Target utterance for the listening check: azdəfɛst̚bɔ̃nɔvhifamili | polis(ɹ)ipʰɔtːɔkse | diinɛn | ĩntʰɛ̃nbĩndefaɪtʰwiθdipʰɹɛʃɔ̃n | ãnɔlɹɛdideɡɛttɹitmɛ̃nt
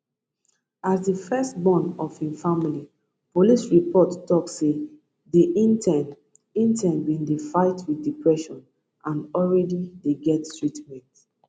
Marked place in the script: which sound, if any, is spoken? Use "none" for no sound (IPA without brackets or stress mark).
ɹ